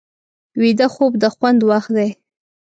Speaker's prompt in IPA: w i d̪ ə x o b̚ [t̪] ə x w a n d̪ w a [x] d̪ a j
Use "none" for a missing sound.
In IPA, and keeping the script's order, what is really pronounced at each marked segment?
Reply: d̪, x

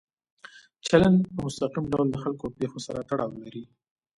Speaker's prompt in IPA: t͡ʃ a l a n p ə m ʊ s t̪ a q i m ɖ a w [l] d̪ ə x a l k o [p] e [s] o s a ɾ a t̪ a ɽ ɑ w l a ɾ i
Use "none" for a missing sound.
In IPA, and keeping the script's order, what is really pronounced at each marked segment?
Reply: l, p, x

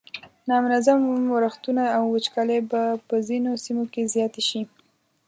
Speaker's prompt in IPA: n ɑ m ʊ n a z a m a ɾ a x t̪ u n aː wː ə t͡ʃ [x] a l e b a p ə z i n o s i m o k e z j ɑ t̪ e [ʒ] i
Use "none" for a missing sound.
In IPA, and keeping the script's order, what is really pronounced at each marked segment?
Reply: k, ʃ

